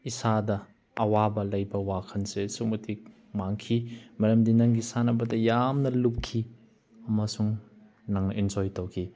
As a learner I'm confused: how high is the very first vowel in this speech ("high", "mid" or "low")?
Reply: high